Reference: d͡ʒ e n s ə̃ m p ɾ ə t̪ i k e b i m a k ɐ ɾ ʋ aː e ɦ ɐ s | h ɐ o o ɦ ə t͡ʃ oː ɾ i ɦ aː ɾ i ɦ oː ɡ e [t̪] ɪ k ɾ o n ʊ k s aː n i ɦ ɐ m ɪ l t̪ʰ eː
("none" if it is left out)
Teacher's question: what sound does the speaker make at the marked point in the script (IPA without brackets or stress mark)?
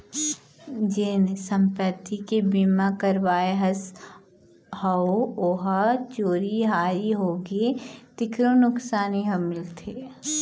t̪